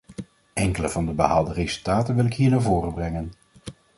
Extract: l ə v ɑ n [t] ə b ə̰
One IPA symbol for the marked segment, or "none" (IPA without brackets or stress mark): d